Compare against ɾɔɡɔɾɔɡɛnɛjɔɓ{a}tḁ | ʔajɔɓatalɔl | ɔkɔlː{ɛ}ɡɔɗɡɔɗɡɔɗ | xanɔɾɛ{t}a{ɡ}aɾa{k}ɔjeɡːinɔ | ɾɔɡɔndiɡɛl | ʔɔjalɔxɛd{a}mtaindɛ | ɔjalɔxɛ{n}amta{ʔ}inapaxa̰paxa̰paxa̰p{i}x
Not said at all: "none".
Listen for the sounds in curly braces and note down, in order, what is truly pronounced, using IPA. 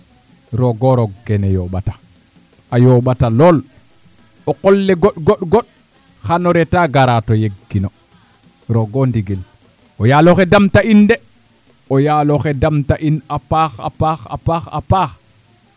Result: a, ɛ, t, ɡ, t, a, d, ʔ, a

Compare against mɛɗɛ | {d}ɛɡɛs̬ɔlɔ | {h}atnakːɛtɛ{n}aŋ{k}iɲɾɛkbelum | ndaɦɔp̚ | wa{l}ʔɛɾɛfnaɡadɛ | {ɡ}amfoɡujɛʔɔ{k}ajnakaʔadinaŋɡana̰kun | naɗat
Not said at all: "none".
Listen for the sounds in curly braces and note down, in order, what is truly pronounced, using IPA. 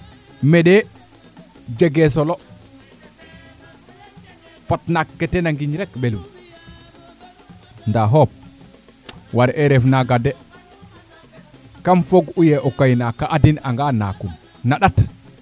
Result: d͡ʒ, f, n, ɡ, ɾ, k, k

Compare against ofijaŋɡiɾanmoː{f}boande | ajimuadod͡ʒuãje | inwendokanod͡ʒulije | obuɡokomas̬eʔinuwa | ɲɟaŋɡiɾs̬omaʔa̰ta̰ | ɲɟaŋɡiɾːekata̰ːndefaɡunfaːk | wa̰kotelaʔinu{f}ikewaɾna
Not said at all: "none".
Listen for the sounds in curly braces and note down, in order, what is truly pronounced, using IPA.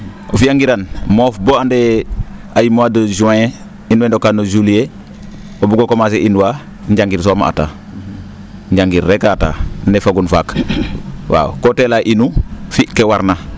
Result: f, f

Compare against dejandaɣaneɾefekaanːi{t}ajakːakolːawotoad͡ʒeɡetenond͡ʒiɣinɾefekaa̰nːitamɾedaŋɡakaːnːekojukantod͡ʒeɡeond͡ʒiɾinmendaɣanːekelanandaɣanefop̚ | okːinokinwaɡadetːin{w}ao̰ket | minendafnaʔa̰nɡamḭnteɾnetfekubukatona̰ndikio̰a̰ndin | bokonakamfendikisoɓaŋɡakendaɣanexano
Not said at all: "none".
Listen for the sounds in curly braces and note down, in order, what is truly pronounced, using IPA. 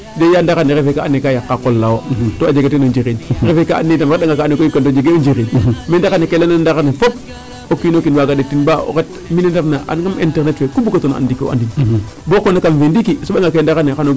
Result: k, b

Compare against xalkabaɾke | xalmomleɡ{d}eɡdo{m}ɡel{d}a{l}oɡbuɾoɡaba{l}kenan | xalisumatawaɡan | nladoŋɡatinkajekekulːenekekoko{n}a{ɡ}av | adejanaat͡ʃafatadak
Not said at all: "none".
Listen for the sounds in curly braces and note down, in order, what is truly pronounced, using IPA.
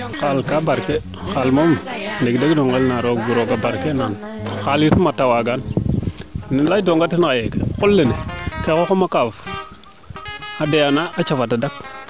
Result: d, ŋ, n, ɾ, ɾ, m, k

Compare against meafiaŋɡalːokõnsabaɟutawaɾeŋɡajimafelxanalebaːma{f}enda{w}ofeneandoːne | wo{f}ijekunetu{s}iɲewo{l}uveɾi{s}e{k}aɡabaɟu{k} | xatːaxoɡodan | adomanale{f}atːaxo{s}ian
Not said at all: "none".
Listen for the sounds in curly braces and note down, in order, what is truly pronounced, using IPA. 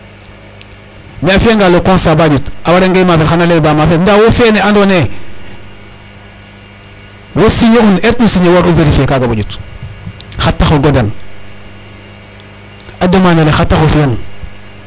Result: f, w, s, s, ɾ, f, k, t, x, f

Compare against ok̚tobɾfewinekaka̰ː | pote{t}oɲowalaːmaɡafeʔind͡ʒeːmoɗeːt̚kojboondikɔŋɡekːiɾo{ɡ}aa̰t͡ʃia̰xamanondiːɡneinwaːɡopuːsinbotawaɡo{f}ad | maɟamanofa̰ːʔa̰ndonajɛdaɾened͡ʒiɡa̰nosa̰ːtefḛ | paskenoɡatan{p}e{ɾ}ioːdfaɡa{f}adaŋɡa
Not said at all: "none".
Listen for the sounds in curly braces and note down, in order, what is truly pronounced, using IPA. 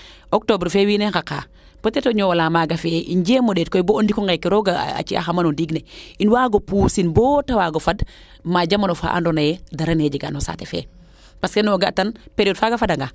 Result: t, ɡ, f, p, ɾ, f

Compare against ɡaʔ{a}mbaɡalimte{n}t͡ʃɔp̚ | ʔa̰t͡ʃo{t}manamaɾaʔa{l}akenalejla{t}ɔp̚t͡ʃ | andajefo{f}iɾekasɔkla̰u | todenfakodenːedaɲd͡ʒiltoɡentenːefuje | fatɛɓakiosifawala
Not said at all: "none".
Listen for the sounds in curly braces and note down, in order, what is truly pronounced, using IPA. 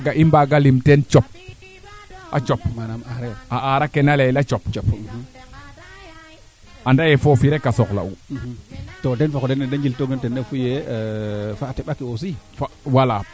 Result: i, n, p, ɾ, t͡ʃ, f

